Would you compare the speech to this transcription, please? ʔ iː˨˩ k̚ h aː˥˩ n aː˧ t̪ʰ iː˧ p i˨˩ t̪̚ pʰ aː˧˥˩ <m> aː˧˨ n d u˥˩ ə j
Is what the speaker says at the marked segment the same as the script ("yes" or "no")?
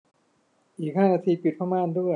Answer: yes